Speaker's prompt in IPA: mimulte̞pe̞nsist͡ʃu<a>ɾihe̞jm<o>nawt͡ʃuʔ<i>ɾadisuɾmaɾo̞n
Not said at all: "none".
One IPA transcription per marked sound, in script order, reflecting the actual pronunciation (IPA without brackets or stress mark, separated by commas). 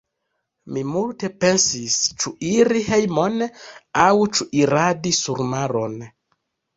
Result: i, o, i